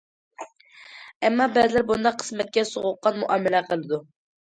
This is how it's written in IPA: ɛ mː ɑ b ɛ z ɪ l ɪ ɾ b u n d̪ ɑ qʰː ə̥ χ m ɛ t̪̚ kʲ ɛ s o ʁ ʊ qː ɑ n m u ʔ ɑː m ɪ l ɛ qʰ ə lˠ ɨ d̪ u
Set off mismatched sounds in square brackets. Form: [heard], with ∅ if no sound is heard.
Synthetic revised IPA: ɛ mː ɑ b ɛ z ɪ l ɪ ɾ b u n d̪ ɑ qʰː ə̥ [s] m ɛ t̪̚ kʲ ɛ s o ʁ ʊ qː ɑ n m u ʔ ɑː m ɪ l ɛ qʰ ə lˠ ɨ d̪ u